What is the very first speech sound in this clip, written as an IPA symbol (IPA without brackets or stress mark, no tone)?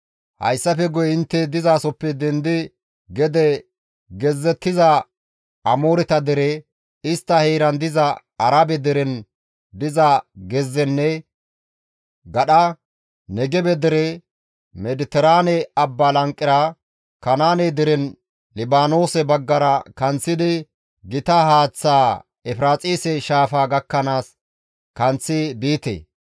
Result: h